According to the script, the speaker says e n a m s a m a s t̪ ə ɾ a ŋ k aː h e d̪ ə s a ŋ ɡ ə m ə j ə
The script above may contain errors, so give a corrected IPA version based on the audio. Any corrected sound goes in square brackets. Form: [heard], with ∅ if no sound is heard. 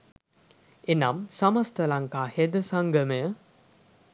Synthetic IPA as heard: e n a m s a m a s t̪ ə [l] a ŋ k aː h e d̪ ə s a ŋ ɡ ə m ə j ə